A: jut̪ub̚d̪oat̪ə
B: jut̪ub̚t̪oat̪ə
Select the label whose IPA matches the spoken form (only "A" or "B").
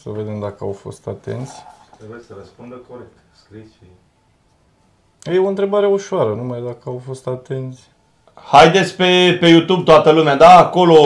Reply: B